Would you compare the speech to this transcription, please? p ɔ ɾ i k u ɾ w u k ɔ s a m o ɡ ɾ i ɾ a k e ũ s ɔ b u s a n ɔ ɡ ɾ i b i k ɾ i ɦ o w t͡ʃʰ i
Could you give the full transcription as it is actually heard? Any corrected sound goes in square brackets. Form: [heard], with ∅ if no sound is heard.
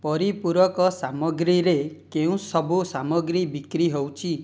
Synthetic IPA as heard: p ɔ ɾ i [p] u ɾ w [ɔ] k ɔ s a m [ɔ] ɡ ɾ i ɾ [e] k e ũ s ɔ b u s a [m] ɔ ɡ ɾ i b i k ɾ i ɦ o w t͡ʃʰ i